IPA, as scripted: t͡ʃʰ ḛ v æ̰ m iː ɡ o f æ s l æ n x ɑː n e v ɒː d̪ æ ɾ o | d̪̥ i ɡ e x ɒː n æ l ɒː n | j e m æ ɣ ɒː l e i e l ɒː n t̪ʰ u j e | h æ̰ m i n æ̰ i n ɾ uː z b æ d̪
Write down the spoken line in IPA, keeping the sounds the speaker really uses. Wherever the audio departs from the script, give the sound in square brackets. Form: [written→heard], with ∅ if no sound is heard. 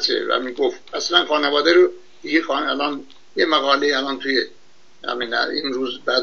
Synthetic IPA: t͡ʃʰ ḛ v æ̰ m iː ɡ o f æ s l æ n x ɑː n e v ɒː d̪ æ ɾ o | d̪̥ i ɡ e x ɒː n æ l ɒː n | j e m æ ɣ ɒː l e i [e→æ] l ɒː n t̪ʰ u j e | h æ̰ m i n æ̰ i n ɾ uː z b æ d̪

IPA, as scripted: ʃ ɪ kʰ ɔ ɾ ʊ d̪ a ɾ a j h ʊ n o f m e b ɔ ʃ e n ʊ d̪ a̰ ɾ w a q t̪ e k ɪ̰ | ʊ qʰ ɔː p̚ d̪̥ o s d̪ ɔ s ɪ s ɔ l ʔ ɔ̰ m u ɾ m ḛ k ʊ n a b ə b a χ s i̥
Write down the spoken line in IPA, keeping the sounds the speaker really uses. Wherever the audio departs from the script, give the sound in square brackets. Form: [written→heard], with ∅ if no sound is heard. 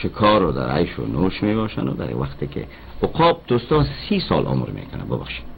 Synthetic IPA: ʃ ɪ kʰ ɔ ɾ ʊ d̪ a ɾ a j [h→ʃ] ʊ n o [f→ʃ] m e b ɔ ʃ [e→a] n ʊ d̪ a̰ ɾ w a q t̪ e k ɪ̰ | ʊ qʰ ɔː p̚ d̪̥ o s [d̪→t̪] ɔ s [ɪ→i] s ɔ l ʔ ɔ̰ m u ɾ m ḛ k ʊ n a b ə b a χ [s→ʃ] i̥

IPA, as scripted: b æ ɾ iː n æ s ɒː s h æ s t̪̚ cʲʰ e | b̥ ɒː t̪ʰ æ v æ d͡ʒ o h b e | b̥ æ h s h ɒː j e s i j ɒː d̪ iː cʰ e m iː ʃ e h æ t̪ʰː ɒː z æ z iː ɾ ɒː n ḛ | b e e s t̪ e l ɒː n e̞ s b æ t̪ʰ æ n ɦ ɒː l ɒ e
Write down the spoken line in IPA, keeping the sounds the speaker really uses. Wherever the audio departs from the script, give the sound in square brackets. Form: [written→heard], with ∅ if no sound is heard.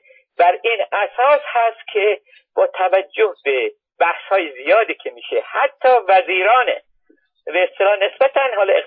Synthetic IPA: b æ ɾ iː n æ s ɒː s h æ s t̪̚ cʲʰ e | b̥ ɒː t̪ʰ æ v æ [d͡ʒ→d͡ʒː] o h b e | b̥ æ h s h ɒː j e [s→z] i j ɒː d̪ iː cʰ e m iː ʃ e h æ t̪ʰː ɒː [z→v] æ z iː ɾ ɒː n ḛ | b e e s t̪ e l ɒː n e̞ s b æ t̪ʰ æ n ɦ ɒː l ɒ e

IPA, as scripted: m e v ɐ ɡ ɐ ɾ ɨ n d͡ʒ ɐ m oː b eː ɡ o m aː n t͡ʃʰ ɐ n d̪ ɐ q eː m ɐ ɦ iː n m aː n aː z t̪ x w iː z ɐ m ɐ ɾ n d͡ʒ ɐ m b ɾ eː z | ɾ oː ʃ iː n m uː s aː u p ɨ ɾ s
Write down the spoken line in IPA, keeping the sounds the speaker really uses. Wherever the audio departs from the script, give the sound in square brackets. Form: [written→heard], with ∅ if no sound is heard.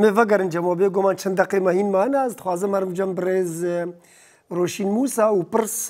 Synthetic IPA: m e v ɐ ɡ ɐ ɾ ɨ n d͡ʒ ɐ m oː b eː ɡ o m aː n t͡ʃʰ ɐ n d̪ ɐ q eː m ɐ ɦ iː n m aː n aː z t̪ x w [iː→aː] z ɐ m ɐ ɾ [n→m] d͡ʒ ɐ m b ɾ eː z | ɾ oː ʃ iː n m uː s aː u p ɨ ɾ s

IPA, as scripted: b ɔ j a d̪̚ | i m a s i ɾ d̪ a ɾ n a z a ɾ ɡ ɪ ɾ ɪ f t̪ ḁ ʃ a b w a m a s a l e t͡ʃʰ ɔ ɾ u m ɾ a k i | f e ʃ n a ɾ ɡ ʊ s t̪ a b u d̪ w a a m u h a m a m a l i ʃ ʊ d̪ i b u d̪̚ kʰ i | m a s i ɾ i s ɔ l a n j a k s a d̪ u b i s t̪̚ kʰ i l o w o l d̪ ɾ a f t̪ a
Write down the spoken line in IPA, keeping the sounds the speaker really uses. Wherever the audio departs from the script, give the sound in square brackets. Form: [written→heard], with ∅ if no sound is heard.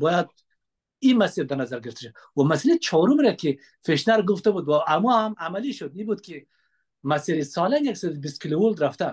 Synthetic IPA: b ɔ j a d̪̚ | i m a s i ɾ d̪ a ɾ n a z a ɾ ɡ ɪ ɾ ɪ f t̪ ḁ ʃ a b w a m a s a l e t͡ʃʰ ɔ ɾ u m ɾ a k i | f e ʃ n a ɾ ɡ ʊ [s→f] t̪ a b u d̪ w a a m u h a m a m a l i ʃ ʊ d̪ i b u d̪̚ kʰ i | m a s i ɾ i s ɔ l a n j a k s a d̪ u b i s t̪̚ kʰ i l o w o l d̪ ɾ a f t̪ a

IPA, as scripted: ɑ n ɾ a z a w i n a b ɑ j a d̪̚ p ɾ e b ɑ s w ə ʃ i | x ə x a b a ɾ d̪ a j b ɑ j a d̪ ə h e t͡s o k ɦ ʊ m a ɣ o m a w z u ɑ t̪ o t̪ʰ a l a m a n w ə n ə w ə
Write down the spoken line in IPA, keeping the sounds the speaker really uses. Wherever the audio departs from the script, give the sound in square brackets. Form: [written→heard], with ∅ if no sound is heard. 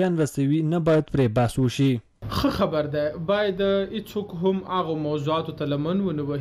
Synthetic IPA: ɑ n ɾ a [z→s] a w i n a b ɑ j a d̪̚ p ɾ e b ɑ s w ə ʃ i | x ə x a b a ɾ d̪ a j b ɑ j a d̪ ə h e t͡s o k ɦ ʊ m a ɣ o m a w z u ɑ t̪ o [t̪ʰ→t̪] a l a m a n w ə n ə w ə

